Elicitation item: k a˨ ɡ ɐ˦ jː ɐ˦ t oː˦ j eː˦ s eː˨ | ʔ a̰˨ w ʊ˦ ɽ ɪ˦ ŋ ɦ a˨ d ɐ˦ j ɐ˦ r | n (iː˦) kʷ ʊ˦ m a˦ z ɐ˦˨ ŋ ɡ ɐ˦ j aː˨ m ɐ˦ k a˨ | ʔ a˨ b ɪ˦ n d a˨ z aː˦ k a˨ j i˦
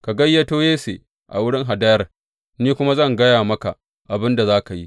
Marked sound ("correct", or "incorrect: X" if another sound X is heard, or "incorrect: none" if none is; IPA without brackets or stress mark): correct